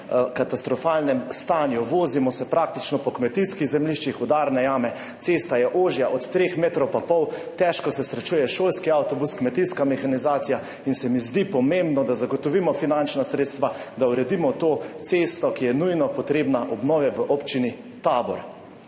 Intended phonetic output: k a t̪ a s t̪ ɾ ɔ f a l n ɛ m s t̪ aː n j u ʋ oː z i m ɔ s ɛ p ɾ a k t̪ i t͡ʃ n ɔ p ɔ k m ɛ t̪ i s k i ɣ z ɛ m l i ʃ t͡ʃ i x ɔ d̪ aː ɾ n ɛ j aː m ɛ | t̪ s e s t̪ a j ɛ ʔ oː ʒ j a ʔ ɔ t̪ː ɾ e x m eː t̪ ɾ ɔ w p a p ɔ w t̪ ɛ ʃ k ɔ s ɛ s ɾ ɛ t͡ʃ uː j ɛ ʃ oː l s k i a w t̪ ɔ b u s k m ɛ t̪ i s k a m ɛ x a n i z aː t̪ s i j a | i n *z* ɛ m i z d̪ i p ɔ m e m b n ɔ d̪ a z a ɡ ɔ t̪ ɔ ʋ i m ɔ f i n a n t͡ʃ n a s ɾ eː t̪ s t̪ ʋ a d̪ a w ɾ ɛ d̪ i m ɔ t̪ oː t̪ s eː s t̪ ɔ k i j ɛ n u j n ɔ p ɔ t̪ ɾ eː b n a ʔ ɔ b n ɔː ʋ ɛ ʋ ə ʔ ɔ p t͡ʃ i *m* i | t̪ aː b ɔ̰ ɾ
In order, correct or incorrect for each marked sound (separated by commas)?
incorrect, incorrect